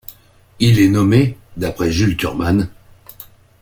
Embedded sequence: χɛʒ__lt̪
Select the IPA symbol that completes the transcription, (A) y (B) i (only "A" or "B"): A